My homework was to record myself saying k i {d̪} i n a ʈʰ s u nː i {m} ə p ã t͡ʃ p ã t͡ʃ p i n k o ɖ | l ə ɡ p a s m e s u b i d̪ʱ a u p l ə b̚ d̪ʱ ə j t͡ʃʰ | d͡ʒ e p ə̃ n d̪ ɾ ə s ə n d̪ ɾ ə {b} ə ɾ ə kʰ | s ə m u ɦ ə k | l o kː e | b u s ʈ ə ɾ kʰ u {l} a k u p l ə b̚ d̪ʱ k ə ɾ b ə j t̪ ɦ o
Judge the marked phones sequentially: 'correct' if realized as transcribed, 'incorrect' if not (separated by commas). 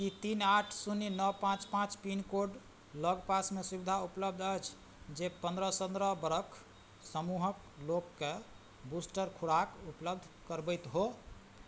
incorrect, incorrect, correct, incorrect